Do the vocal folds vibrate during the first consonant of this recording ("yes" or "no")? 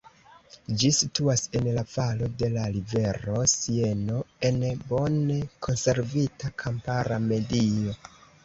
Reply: yes